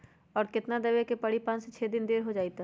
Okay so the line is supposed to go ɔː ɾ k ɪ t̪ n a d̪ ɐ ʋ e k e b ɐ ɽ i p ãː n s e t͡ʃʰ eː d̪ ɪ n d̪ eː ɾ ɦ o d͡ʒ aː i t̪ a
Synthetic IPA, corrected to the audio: ɔː ɾ k ɪ t̪ n a d̪ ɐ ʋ e k e p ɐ ɽ i p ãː n s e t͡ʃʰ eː d̪ ɪ n d̪ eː ɾ ɦ o d͡ʒ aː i t̪ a

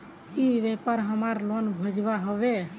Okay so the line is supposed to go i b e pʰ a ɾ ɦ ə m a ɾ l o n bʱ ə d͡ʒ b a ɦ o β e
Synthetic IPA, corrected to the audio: i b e p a ɾ ɦ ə m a ɾ l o n bʱ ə d͡ʒ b a ɦ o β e

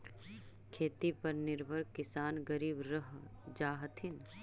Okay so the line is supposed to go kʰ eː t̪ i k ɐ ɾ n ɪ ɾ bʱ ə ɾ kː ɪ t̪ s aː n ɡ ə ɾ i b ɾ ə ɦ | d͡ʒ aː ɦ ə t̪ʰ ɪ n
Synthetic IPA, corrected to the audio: kʰ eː t̪ i p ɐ ɾ n ɪ ɾ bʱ ə ɾ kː ɪ s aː n ɡ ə ɾ iː b ɾ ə ɦ | d͡ʒ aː ɦ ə t̪ʰ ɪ n

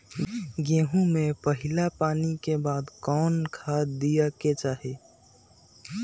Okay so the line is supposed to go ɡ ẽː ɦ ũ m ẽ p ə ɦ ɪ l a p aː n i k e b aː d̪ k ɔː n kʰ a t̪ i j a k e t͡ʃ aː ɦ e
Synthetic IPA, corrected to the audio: ɡ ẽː ɦ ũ m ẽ p ə ɦ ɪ l a p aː n i k e b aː d̪ k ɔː n kʰ a d̪ i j a k e t͡ʃ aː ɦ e

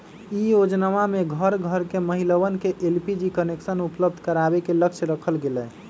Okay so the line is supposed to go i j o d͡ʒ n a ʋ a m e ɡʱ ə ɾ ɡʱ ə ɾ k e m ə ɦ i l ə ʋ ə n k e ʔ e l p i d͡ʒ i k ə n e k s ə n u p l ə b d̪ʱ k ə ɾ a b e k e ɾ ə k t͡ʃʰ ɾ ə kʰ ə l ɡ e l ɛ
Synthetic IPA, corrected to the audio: i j o d͡ʒ n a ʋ a m e ɡʱ ə ɾ ɡʱ ə ɾ k e m ə ɦ i l ə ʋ ə n k e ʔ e l p i d͡ʒ i k ə n e k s ə n u p l ə b d̪ʱ k ə ɾ a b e k e l ə k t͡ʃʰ ɾ ə kʰ ə l ɡ e l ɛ

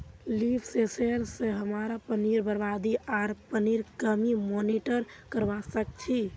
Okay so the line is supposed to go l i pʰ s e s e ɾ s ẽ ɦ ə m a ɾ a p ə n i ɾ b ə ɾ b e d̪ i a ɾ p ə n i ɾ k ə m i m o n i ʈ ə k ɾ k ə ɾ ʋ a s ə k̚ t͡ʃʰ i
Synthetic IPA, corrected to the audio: l i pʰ s e s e ɾ s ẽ ɦ ə m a ɾ a p ə n i ɾ b ə ɾ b a d̪ i a ɾ p ə n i ɾ k ə m i m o n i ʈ ə ɾ k ə ɾ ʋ a s ə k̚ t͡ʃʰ i

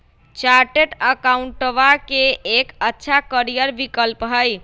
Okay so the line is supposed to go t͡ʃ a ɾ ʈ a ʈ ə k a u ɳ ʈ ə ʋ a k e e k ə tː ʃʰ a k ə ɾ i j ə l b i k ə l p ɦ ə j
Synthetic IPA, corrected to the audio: t͡ʃ a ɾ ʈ e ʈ ə k a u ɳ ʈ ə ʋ a k e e k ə tː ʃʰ a k ə ɾ i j ə ɾ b i k ə l p ɦ ə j

